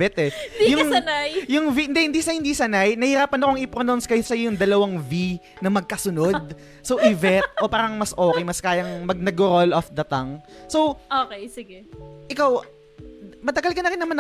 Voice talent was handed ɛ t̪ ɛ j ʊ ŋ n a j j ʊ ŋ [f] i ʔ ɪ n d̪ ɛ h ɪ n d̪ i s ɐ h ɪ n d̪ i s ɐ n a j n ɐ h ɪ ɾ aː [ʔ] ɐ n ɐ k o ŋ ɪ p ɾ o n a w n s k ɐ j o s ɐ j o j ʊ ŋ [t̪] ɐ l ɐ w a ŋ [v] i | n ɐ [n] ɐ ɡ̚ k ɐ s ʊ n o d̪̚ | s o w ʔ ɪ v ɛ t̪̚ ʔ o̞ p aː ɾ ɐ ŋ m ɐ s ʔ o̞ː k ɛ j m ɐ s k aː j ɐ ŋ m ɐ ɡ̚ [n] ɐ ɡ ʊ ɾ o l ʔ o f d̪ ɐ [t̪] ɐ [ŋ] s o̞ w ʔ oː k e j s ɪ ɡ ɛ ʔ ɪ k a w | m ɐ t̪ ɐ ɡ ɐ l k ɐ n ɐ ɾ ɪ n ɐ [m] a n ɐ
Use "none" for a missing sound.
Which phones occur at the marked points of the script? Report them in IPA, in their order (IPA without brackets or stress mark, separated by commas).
v, p, d̪, v, m, n, t̪, ŋ, m